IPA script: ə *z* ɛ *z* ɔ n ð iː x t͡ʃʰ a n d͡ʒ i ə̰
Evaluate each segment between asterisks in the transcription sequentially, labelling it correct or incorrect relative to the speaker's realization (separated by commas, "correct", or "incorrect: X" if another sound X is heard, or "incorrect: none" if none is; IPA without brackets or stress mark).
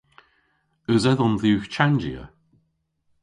correct, incorrect: ð